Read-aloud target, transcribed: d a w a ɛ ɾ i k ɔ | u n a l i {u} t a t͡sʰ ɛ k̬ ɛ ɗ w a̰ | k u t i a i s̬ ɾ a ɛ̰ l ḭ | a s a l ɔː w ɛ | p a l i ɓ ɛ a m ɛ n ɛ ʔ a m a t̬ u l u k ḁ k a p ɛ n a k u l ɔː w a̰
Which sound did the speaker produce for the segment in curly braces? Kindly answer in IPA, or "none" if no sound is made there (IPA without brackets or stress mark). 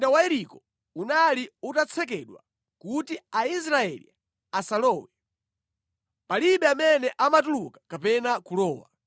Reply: u